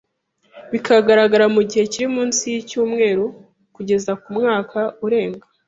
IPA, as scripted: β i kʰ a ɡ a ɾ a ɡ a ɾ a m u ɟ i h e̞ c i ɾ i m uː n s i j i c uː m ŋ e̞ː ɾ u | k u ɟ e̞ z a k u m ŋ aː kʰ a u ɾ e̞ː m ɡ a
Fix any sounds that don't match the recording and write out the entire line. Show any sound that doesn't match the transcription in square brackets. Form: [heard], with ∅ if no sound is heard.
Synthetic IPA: β i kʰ a ɡ a ɾ a ɡ a ɾ a m u ɟ i h e̞ c i ɾ i m uː n s i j i c uː m ŋ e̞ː ɾ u | k u ɟ e̞ z a k u m ŋ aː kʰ a u ɾ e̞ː [ŋ] ɡ a